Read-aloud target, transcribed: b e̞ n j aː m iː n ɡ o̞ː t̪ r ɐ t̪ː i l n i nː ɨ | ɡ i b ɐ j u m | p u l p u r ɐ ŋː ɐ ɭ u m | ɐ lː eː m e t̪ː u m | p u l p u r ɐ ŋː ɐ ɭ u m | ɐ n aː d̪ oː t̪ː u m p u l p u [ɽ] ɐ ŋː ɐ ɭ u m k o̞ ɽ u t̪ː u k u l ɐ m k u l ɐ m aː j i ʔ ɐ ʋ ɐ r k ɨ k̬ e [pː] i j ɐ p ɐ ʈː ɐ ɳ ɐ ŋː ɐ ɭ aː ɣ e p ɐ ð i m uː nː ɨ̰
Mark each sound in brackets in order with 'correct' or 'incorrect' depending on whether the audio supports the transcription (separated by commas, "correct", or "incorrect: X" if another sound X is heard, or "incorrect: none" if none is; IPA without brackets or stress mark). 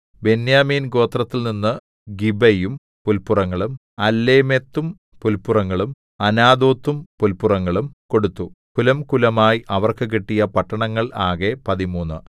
incorrect: r, incorrect: ʈː